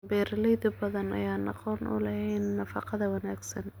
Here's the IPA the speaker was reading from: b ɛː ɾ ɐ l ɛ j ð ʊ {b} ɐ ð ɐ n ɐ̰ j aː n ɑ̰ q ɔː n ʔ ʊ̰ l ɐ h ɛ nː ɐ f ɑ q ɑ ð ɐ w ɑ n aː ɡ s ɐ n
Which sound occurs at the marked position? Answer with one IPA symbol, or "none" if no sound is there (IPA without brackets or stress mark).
b